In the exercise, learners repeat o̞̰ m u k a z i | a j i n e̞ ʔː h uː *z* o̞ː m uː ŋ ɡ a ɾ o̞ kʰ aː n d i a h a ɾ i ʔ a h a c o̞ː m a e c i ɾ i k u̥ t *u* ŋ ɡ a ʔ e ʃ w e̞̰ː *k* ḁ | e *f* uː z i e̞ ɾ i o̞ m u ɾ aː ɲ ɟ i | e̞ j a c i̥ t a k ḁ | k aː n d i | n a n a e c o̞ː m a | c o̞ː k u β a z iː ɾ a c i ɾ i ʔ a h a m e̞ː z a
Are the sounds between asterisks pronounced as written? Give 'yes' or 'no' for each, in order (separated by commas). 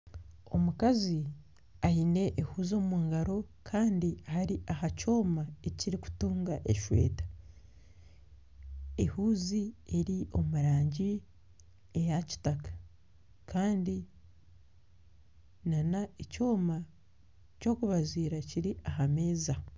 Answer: yes, no, no, no